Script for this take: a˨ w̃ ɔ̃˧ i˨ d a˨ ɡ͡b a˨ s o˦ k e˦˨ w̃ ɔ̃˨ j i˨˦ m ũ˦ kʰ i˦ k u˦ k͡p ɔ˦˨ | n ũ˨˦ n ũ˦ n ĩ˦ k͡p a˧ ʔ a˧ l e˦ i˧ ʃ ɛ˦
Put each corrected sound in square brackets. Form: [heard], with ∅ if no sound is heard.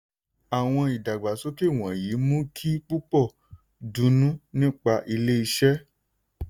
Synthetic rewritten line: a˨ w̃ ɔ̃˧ i˨ d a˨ ɡ͡b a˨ s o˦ k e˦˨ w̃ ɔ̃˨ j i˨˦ m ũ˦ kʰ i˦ [k͡p] u˦ k͡p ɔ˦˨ | [d] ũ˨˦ n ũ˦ n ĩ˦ k͡p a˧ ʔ [i˧] l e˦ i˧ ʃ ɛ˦